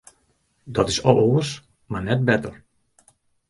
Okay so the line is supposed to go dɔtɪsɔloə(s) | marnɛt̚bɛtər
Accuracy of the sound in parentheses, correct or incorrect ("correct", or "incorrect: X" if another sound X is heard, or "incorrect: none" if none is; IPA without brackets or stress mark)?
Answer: correct